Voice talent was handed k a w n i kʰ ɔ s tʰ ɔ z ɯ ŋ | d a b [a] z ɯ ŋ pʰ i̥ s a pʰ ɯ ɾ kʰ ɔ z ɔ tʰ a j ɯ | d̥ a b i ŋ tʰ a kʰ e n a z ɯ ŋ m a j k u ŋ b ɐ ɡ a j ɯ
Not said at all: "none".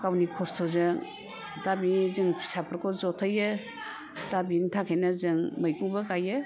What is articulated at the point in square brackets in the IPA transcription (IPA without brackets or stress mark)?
i